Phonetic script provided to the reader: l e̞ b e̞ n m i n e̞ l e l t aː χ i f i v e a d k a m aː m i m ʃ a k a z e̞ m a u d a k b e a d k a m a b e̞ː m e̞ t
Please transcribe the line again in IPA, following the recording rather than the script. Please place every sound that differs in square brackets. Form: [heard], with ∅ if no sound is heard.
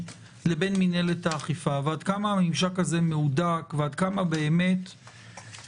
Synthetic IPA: l e̞ b e̞ n m i n e̞ l e [∅] t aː χ i f [a] v e a d k a m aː m i m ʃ a k a z e̞ m [e] u d a k [v] e a d k a m a b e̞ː m e̞ t